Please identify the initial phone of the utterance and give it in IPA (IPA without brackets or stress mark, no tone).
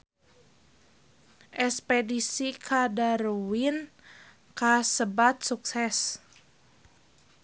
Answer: ʔ